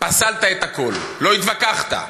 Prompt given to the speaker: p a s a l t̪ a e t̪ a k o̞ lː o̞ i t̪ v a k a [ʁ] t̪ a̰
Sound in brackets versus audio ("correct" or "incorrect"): incorrect